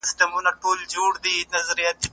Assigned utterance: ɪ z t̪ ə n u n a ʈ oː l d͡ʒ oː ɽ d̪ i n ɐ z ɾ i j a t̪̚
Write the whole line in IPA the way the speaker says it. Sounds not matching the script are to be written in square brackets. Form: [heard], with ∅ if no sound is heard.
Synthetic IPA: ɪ [s] t̪ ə [m] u n a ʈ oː l d͡ʒ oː ɽ d̪ i n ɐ z ɾ i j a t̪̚